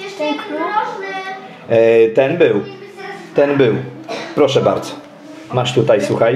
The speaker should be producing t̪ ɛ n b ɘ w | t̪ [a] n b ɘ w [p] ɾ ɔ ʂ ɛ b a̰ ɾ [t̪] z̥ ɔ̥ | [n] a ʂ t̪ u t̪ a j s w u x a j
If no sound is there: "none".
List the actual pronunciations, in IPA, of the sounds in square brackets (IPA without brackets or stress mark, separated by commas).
ɛ, p, d̪, m